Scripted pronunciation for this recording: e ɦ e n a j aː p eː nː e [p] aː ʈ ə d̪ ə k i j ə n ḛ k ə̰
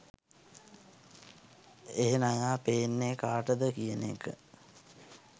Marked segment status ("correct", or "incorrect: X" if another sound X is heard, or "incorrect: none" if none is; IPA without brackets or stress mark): incorrect: k